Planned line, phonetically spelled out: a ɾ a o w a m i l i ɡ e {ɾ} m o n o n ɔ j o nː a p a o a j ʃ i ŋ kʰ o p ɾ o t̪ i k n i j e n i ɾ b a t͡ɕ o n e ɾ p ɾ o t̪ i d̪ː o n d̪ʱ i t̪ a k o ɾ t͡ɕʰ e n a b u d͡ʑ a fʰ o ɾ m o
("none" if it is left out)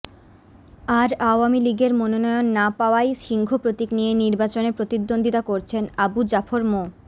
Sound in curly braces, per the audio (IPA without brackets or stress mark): ɾ